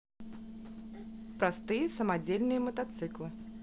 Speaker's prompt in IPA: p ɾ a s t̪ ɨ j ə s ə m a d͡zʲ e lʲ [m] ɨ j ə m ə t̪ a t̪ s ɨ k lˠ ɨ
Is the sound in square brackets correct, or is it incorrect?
incorrect